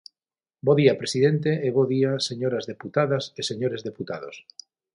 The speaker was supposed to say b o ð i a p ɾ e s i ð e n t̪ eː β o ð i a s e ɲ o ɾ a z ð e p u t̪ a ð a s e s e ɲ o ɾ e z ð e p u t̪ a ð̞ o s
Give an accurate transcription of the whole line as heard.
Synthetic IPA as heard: b o ð i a p ɾ e s i ð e n t̪ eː β o ð i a s e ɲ o ɾ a z ð e p u t̪ a ð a s e s e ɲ o ɾ e z ð e p u t̪ a ð̞ o s